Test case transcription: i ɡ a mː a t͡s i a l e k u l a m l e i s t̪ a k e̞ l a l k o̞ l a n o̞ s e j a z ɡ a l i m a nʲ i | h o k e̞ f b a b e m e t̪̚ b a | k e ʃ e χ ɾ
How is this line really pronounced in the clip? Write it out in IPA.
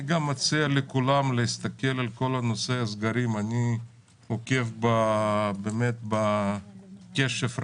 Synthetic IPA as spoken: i ɡ a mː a t͡s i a l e k u l a m l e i s t̪ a k e̞ l a l k o̞ l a n o̞ s e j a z ɡ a ɾ i m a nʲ i | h o k e̞ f b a b e m e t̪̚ b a | k e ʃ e f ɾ

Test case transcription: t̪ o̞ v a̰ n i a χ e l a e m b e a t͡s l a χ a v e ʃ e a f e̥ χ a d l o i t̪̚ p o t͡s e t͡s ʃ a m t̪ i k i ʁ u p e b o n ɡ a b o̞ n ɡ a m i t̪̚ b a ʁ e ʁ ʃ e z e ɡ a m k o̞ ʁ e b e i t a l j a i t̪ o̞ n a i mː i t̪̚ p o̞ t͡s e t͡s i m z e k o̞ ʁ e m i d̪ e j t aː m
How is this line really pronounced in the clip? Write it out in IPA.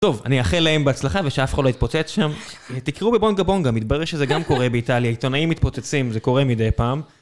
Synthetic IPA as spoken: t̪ o̞ v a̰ n i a χ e l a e m b e a t͡s l a χ a v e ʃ e a f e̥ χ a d l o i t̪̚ p o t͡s e t͡s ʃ a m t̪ i k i ʁ u b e b o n ɡ a b o̞ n ɡ a m i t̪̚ b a ʁ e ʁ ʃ e z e ɡ a m k o̞ ʁ e b e i t a l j a i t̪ o̞ n a i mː i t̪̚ p o̞ t͡s e t͡s i m z e k o̞ ʁ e m i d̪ e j p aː m

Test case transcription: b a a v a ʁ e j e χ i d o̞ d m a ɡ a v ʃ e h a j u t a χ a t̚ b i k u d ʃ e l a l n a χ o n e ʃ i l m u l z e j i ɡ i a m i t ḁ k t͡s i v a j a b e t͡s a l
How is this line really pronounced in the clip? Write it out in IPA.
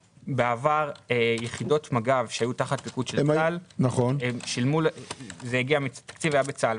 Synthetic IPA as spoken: b e a v a ʁ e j e χ i d o̞ t m a ɡ a v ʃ e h a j u t a χ a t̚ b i k u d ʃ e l a l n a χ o n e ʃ i l m u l z e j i ɡ i a m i t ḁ k t͡s i v a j a b e t͡s a l

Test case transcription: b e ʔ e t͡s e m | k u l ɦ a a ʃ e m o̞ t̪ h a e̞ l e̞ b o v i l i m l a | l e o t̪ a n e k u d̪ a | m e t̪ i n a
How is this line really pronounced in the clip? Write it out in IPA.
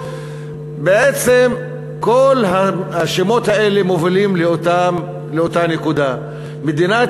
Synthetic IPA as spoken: b e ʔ e t͡s e m | k o l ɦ a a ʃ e m o̞ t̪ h a e̞ l e̞ m o v i l i m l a | l e o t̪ a n e k u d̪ a | m e d̪ i n a

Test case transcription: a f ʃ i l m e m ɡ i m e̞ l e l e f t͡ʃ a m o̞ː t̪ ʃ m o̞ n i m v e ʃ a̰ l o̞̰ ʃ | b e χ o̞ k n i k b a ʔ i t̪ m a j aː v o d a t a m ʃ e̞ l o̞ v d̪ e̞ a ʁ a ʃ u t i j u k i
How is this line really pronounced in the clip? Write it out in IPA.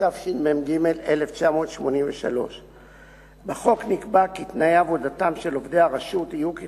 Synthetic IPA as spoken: a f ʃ i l m e m ɡ i m e̞ l e l e f t͡ʃ a m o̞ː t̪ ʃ m o̞ n i m v e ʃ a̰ l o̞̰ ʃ | b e χ o̞ k n i k b a k i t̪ n a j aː v o d a t a m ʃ e̞ l o̞ v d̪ e̞ a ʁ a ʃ u t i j u k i

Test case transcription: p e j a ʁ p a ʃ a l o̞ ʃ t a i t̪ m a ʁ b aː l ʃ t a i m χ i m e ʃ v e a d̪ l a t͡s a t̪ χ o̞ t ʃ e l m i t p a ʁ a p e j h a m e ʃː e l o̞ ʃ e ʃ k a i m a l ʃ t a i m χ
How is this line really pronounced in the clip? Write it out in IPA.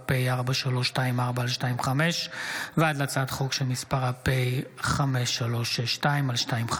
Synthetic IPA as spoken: p e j a ʁ b a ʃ a l o̞ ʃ t a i m a ʁ b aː l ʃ t a i m χ a m e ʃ v e a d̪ l a t͡s a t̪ χ o̞ k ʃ e l m i s p a ʁ a p e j χ a m e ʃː a l o̞ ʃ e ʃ t a i m a l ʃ t a i m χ

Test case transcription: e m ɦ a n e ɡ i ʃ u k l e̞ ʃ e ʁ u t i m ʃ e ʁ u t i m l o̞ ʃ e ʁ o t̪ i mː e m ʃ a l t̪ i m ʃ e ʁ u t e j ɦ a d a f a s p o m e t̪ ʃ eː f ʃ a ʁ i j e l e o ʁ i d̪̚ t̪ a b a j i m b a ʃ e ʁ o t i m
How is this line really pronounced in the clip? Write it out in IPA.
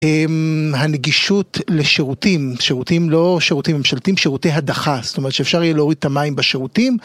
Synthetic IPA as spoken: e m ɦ a n e ɡ i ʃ u t l e̞ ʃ e ʁ u t i m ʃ e ʁ u t i m l o̞ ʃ e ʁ u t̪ i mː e m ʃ a l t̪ i m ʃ e ʁ u t e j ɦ a d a χ a s t o m e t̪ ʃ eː f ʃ a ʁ i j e l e o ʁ i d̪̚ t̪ a m a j i m b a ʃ e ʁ u t i m

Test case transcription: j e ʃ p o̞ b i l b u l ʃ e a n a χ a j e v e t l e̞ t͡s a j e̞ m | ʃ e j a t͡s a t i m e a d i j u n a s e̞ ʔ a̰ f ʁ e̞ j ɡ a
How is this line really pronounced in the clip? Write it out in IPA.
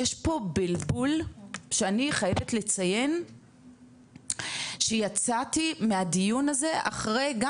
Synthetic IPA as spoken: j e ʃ p o̞ b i l b u l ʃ e a n i χ a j e v e t l e̞ t͡s a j e̞ n | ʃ e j a t͡s a t i m e a d i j u n a z e̞ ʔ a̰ χ ʁ e̞ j ɡ a

